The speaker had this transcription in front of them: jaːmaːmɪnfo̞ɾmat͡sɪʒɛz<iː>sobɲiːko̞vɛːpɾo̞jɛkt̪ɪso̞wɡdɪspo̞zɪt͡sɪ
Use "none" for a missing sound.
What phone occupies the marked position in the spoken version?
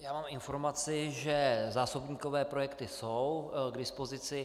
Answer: aː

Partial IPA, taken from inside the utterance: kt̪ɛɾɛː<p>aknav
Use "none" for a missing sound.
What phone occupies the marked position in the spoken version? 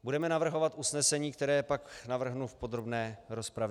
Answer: p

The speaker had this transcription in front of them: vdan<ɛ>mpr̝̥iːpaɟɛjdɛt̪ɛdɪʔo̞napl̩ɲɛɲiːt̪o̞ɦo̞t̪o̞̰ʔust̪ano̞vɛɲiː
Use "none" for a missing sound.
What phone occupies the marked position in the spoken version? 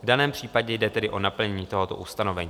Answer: ɛː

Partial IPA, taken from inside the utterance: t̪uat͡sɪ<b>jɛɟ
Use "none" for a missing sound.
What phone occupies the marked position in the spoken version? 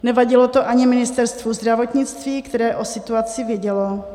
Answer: v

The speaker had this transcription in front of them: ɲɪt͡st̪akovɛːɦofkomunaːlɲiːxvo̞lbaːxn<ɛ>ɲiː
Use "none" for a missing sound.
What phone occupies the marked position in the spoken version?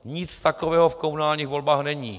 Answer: ɛ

